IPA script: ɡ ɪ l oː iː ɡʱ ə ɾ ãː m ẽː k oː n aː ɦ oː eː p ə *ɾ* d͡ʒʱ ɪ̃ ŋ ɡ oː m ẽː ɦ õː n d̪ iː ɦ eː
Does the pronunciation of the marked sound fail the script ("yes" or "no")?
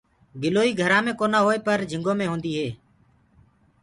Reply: no